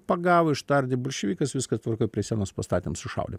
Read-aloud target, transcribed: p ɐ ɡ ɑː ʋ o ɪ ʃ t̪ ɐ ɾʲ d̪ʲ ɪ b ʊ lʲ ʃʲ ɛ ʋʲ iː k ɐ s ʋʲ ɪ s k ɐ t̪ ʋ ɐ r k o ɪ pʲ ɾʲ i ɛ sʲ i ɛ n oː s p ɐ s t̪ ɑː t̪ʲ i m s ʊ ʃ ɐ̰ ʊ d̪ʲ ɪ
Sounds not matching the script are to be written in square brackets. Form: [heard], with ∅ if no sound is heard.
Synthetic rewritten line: p ɐ ɡ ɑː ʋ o ɪ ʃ t̪ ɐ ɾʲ d̪ʲ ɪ b ʊ lʲ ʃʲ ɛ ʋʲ iː k ɐ s ʋʲ ɪ s k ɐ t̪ ʋ ɐ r k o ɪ pʲ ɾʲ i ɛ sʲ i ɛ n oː s p ɐ s t̪ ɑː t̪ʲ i m s ʊ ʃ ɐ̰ ʊ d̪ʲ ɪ